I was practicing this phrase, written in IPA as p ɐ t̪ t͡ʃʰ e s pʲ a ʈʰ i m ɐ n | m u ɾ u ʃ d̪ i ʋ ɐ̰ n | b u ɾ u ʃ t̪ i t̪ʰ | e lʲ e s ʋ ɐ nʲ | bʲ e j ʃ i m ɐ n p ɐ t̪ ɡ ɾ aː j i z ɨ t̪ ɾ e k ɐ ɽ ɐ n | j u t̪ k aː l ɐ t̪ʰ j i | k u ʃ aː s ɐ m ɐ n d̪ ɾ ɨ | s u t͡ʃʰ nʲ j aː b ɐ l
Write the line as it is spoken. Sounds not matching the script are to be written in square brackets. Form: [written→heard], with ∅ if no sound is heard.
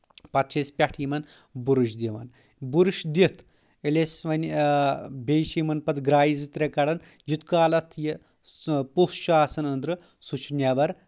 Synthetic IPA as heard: p ɐ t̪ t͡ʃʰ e s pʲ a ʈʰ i m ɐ n | [m→b] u ɾ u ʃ d̪ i ʋ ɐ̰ n | b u ɾ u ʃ [t̪→d̪] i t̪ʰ | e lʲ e s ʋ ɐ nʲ | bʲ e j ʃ i m ɐ n p ɐ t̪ ɡ ɾ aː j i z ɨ t̪ ɾ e k ɐ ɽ ɐ n | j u t̪ k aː l ɐ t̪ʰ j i | [k→p] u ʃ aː s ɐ [m→n] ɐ n d̪ ɾ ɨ | s u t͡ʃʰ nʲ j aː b ɐ [l→ɾ]